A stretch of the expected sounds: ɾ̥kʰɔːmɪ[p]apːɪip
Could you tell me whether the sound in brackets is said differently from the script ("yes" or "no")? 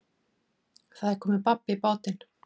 no